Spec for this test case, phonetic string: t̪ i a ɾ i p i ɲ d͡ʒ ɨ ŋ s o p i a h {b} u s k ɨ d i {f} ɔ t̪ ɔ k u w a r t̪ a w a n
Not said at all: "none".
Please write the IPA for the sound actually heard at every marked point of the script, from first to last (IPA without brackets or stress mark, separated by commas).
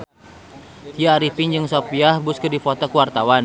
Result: b, f